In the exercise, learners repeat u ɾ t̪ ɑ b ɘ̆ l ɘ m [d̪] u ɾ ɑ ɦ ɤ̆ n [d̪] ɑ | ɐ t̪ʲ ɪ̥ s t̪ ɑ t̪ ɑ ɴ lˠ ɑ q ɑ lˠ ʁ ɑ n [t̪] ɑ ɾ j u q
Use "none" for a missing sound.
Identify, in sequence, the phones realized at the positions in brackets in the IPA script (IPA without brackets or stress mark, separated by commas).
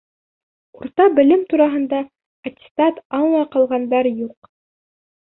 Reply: t̪, d̪, d̪